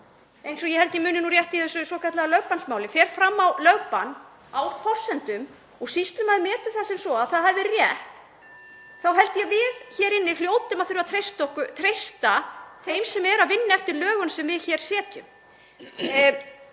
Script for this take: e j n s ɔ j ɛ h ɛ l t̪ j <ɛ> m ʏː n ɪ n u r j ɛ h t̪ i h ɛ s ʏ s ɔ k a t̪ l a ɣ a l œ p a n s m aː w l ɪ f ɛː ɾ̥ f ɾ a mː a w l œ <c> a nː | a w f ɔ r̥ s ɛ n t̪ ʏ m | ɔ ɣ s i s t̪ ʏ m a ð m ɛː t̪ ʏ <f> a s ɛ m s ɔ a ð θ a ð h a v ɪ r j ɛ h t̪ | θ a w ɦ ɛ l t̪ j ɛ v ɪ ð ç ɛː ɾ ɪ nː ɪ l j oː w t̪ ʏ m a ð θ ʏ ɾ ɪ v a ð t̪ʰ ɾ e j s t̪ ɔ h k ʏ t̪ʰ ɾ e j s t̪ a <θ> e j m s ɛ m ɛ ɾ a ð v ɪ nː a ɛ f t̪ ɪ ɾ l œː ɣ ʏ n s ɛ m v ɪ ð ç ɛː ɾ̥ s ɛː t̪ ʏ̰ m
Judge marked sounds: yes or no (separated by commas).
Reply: yes, no, no, yes